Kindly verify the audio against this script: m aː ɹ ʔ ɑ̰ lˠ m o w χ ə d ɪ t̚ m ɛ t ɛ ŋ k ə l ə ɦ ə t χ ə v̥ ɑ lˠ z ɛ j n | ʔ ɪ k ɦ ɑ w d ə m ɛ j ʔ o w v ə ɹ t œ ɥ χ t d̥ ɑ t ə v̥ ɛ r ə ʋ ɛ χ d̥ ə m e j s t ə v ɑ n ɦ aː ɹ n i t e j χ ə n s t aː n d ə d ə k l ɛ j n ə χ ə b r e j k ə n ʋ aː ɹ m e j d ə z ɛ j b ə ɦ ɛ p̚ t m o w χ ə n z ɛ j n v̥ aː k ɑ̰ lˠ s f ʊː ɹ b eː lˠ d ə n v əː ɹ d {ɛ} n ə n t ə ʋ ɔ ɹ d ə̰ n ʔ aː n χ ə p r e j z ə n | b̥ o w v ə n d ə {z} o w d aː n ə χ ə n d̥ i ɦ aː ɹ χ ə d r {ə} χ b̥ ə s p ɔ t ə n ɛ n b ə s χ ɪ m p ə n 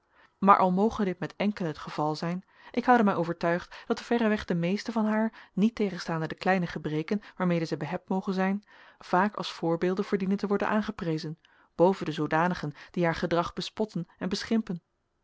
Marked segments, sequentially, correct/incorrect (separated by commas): incorrect, correct, incorrect